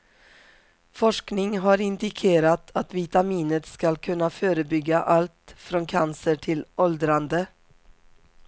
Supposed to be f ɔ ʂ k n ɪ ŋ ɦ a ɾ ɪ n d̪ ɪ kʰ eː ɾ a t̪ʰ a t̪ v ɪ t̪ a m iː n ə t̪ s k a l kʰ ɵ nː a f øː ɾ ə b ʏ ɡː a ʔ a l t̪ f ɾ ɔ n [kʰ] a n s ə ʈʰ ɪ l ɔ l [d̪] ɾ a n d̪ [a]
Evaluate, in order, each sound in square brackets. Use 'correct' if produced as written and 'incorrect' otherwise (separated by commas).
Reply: correct, correct, incorrect